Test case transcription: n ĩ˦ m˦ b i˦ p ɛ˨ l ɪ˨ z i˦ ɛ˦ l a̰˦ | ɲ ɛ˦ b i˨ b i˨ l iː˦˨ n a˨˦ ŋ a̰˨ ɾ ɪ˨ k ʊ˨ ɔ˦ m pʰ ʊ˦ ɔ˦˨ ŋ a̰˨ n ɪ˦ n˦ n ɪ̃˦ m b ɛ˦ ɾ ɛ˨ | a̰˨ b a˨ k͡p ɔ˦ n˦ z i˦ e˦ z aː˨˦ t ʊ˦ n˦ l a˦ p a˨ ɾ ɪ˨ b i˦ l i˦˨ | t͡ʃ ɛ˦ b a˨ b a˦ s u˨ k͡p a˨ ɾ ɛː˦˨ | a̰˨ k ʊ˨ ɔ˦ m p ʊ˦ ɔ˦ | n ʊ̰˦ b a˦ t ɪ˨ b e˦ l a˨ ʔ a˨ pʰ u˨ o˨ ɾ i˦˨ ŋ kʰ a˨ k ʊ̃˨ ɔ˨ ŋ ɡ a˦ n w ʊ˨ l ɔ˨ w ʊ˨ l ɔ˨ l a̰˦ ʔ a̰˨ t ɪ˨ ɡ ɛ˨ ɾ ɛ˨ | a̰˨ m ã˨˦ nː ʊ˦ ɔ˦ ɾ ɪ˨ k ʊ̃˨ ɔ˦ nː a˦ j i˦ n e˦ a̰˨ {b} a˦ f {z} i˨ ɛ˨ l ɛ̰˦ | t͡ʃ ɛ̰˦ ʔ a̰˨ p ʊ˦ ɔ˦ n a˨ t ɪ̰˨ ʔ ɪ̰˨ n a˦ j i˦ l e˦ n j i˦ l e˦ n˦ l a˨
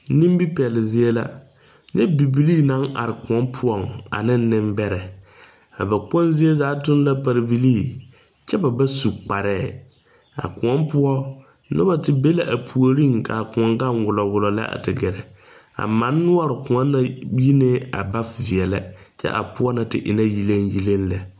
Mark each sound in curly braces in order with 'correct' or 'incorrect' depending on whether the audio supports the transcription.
correct, incorrect

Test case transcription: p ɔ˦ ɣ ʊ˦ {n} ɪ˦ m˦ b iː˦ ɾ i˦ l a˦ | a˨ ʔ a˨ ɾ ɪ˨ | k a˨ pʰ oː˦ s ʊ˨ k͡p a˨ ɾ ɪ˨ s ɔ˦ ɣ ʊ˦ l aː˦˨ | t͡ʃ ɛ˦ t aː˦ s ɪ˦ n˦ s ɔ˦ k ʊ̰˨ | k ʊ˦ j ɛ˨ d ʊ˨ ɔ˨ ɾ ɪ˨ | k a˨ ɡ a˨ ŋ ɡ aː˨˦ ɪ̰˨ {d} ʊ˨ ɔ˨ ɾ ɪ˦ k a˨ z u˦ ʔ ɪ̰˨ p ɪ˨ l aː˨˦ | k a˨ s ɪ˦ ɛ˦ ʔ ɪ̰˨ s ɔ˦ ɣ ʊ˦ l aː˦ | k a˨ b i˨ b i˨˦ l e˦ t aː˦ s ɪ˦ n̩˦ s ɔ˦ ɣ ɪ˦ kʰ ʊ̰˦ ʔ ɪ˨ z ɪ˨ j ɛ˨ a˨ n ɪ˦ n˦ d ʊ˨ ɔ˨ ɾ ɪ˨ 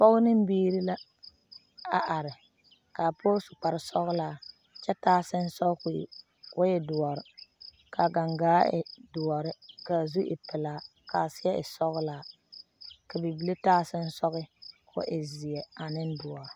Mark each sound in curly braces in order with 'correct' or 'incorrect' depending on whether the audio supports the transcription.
correct, correct

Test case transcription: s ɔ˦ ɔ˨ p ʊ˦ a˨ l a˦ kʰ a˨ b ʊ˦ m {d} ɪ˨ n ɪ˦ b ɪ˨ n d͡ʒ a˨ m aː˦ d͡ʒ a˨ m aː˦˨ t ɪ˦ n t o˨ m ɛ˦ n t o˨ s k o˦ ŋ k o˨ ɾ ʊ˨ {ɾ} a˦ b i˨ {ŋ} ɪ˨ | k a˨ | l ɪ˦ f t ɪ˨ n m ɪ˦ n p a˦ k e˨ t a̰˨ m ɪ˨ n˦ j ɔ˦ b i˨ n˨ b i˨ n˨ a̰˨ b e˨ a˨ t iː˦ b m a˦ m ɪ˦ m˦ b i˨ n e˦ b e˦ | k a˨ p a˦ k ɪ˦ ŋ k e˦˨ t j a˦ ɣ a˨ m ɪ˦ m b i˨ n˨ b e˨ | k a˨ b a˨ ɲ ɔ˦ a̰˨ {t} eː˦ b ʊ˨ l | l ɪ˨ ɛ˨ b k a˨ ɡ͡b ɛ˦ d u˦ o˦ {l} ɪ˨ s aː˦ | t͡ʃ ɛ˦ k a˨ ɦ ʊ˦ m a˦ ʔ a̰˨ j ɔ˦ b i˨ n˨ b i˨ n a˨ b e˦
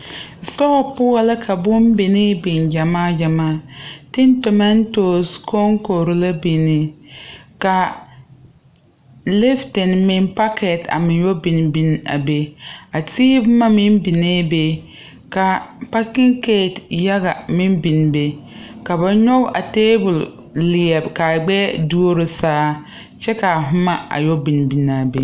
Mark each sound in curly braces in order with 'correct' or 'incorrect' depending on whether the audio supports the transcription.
incorrect, incorrect, incorrect, correct, incorrect

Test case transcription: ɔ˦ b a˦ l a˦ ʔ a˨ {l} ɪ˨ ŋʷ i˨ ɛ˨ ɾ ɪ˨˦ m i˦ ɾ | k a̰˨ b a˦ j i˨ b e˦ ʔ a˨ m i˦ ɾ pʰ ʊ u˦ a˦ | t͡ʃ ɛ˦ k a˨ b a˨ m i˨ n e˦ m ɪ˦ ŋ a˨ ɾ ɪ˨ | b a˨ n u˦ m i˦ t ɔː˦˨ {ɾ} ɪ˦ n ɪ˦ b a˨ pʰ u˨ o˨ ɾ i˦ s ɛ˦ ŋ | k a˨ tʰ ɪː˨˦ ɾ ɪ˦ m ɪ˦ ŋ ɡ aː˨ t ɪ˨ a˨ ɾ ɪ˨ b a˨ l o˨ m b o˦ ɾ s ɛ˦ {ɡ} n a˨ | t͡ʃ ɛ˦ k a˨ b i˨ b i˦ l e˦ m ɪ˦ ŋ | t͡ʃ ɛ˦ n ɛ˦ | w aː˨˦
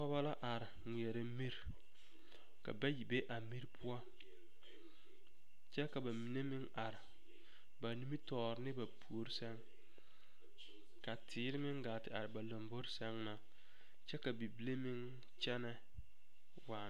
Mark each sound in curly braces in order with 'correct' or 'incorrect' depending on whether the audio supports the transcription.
incorrect, correct, incorrect

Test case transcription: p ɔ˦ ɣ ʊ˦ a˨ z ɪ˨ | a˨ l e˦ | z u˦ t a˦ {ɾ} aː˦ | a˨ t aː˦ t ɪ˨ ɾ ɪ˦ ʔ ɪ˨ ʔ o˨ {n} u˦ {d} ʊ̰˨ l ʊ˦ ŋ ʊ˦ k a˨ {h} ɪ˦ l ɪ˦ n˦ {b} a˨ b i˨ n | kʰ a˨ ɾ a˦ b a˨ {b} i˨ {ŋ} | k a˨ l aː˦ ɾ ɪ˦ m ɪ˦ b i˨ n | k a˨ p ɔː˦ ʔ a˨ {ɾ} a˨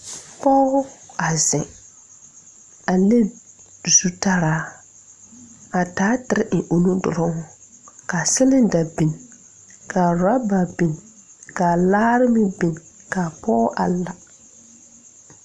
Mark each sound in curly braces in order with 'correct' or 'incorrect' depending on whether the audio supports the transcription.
correct, correct, correct, incorrect, incorrect, correct, incorrect, incorrect

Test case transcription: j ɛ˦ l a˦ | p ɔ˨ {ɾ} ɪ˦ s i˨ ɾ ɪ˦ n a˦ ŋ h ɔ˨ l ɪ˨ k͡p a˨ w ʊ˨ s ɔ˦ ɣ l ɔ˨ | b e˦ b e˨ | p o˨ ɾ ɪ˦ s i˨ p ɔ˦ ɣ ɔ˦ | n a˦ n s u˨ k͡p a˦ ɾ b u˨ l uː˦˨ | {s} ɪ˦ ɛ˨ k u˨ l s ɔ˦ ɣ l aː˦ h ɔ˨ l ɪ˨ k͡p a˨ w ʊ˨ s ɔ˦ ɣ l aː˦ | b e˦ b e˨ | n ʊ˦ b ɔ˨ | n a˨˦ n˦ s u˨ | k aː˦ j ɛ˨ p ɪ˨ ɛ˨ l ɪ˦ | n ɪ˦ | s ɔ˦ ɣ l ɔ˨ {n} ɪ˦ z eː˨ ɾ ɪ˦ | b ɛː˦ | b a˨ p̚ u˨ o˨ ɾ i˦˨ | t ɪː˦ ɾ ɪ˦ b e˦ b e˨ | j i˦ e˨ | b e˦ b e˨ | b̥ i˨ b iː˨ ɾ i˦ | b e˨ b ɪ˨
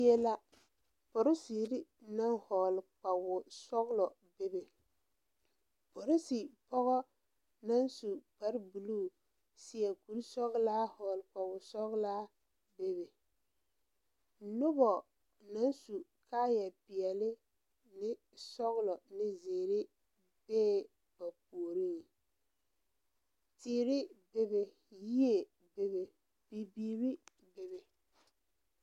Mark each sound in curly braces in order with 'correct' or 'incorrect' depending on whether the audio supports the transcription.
correct, correct, correct

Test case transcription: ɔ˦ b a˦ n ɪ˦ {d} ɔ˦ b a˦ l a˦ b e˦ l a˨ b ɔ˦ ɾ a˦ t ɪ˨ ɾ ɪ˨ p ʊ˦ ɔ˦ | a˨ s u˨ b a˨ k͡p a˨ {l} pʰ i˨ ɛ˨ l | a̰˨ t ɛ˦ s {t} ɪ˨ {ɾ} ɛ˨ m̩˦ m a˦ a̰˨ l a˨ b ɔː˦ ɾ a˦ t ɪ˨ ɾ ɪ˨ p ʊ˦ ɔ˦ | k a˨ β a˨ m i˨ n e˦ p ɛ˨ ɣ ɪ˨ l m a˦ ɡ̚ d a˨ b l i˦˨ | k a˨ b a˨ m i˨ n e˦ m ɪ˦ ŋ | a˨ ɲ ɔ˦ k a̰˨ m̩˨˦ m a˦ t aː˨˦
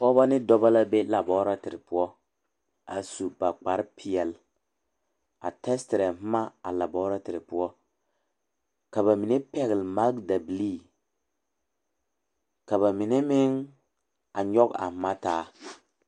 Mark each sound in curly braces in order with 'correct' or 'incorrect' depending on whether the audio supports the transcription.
correct, incorrect, correct, correct

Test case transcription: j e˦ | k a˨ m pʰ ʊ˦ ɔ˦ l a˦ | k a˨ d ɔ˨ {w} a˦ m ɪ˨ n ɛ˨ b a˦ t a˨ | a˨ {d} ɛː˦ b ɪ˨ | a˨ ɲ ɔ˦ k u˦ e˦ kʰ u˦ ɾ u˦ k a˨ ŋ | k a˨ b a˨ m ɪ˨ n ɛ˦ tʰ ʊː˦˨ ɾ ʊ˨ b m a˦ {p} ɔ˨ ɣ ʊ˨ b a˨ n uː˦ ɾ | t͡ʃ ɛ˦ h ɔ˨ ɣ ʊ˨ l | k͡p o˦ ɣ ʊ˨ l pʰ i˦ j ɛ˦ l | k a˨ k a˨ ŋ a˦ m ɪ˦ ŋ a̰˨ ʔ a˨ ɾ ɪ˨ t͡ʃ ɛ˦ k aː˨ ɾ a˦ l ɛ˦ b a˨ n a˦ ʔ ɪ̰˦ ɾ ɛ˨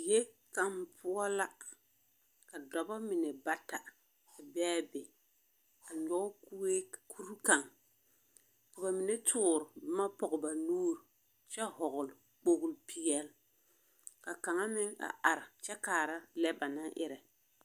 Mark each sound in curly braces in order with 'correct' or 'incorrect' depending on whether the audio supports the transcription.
incorrect, incorrect, correct

